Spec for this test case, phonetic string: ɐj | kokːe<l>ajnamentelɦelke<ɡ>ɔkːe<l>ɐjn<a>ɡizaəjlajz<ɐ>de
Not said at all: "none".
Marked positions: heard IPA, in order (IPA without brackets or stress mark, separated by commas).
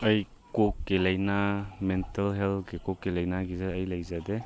l, k, l, a, a